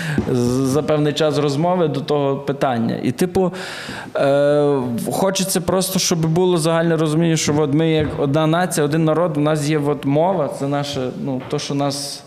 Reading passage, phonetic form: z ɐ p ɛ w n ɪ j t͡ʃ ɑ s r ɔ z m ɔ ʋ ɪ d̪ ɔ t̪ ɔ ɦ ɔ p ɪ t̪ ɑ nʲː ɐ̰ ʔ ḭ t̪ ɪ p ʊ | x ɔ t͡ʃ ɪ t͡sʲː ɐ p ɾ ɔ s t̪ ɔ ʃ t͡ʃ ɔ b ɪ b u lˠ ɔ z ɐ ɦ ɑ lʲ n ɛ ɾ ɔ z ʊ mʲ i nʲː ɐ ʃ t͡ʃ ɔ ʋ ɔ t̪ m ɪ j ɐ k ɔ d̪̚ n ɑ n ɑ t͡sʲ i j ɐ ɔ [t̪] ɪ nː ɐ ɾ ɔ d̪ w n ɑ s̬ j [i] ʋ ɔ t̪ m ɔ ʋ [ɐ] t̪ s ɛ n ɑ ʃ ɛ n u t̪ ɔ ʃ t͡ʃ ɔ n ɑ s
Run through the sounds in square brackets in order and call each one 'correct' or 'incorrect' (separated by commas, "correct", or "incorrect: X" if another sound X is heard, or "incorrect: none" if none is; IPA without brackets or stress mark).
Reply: incorrect: d̪, incorrect: ɛ, correct